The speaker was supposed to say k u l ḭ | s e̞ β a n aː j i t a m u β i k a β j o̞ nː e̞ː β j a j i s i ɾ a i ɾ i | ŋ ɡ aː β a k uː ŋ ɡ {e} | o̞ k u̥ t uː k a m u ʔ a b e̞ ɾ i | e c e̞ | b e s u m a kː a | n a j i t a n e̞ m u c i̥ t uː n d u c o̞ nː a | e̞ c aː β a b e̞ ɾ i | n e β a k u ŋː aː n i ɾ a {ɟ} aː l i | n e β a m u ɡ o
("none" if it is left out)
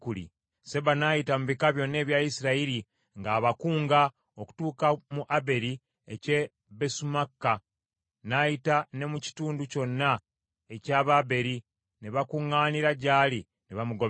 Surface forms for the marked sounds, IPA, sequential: a, ɟ

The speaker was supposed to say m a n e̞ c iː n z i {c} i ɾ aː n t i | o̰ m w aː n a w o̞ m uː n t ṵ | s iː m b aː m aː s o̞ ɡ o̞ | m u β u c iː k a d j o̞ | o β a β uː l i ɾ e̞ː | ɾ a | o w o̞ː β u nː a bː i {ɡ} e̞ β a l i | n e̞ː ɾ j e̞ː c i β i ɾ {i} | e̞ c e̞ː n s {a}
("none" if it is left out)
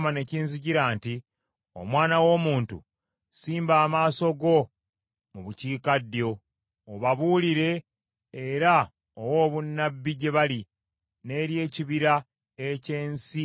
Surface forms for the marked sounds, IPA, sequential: ɟ, ɟ, a, i

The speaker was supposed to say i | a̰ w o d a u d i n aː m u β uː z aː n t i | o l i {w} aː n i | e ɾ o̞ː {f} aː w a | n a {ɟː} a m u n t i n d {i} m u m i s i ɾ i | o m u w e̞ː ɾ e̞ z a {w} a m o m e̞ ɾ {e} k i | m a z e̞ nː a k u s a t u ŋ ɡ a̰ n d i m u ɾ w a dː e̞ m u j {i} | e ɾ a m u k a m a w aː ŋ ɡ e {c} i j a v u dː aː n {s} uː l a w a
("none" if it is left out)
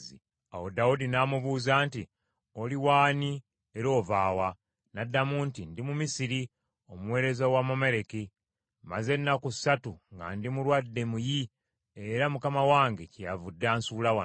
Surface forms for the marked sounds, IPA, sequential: w, v, dː, i, w, e, i, c, s

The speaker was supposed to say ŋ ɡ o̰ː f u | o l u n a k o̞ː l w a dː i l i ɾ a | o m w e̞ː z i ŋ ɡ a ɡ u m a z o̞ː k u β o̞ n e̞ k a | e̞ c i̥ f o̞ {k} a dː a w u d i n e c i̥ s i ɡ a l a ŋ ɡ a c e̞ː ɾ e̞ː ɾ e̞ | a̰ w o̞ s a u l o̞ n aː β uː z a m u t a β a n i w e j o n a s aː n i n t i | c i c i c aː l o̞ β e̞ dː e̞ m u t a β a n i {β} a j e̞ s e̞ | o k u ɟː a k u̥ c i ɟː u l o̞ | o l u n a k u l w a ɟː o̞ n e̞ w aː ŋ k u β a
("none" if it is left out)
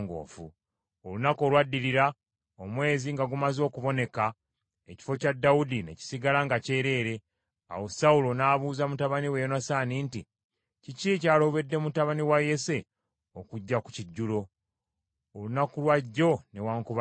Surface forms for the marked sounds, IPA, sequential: c, w

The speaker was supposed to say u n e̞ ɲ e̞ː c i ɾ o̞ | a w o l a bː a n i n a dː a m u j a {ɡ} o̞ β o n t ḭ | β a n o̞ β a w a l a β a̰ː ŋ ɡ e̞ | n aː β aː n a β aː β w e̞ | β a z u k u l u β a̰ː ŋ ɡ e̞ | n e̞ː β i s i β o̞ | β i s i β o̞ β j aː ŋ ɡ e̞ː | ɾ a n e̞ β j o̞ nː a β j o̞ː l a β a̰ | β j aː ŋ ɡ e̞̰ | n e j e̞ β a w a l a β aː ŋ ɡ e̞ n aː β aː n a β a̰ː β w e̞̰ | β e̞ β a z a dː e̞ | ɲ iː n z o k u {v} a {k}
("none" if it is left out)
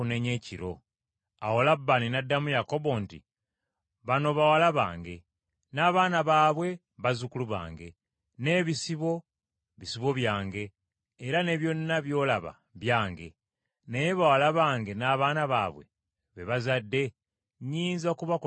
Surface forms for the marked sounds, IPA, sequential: k, β, k

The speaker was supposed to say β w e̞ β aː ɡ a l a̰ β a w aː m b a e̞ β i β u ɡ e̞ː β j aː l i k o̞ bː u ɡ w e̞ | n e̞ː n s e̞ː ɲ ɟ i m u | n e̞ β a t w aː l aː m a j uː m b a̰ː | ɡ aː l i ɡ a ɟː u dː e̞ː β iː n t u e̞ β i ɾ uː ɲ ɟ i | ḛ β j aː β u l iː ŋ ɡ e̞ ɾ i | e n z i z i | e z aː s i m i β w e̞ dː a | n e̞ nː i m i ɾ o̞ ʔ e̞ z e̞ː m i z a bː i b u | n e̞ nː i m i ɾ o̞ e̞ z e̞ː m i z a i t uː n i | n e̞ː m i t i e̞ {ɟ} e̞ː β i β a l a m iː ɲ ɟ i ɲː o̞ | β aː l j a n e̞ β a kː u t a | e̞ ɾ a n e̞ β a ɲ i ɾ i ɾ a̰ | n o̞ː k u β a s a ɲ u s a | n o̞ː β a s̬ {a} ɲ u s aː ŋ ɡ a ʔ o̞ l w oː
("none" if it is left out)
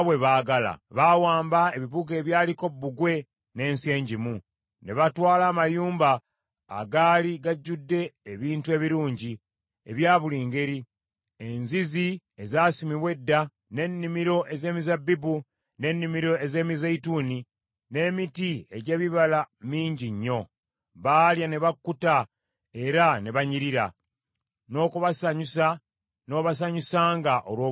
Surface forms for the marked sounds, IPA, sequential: ɟ, a

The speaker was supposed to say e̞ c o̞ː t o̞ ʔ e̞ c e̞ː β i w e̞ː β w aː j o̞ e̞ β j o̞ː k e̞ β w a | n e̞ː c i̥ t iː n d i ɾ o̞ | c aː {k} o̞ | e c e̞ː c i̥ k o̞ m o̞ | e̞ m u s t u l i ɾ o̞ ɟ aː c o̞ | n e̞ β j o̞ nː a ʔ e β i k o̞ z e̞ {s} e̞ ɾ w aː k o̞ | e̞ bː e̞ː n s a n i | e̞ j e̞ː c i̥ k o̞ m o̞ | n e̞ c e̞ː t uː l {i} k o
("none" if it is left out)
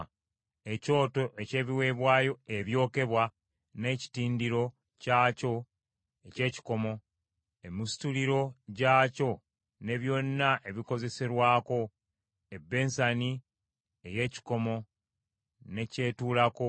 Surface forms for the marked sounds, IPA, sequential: c, s, a

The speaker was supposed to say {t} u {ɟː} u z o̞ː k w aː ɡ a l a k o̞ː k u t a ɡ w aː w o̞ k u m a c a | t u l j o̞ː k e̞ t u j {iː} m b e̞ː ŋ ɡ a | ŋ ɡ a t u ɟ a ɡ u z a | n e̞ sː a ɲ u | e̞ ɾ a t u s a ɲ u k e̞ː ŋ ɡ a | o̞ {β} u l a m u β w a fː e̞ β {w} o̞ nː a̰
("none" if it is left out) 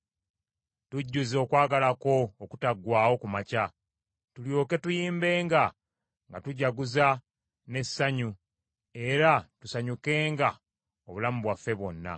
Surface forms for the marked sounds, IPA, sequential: t, ɟː, iː, β, w

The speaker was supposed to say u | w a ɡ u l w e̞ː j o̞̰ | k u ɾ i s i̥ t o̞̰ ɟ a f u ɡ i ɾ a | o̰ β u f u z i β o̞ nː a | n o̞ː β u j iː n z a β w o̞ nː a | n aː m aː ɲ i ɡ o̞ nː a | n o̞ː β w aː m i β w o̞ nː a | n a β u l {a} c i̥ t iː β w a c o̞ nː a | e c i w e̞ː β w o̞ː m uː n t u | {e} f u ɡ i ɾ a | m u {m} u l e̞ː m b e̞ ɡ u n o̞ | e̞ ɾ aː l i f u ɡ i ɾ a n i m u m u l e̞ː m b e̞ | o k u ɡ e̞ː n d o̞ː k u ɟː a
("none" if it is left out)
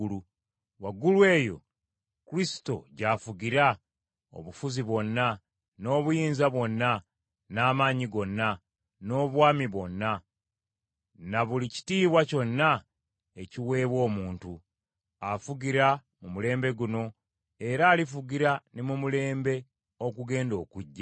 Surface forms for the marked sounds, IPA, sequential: i, a, m

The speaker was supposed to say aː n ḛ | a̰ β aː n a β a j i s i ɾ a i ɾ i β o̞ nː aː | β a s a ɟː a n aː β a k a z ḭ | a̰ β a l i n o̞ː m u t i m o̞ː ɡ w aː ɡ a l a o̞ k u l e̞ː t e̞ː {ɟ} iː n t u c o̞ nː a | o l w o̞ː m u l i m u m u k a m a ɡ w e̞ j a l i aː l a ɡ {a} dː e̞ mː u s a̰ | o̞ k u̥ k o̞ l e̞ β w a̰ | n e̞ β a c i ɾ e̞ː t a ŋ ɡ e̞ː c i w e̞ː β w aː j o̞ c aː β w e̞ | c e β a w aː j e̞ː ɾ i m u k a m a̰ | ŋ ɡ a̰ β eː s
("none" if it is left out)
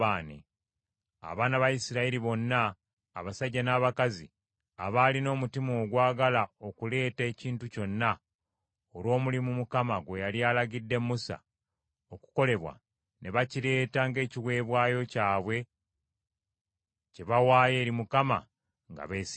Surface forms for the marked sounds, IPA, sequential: c, i

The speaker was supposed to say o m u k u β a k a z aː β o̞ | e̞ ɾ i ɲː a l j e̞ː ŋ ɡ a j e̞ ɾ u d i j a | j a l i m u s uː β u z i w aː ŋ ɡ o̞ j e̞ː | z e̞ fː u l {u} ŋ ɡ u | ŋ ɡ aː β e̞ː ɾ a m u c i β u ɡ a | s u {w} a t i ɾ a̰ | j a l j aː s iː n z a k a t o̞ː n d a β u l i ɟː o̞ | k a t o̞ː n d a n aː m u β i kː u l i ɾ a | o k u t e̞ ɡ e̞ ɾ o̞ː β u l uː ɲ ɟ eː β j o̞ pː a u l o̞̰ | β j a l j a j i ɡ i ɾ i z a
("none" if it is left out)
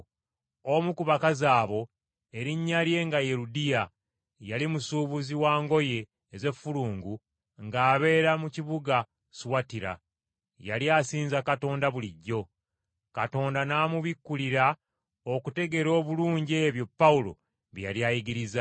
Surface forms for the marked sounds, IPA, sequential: uː, w

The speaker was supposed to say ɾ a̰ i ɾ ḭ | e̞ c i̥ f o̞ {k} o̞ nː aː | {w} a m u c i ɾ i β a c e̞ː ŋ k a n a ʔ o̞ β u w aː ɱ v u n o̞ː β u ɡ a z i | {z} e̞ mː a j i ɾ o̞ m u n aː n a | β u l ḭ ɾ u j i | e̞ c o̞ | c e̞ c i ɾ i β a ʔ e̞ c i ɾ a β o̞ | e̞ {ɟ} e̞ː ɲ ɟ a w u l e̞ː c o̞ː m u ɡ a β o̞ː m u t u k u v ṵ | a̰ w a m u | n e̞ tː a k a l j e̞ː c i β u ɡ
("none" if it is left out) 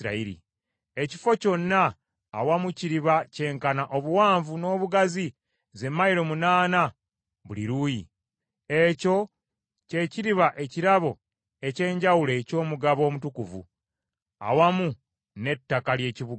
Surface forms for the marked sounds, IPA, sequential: c, w, z, c

